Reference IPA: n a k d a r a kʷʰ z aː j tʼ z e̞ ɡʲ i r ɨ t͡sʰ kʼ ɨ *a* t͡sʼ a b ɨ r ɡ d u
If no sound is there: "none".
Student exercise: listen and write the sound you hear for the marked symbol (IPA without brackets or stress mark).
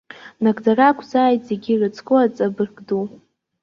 a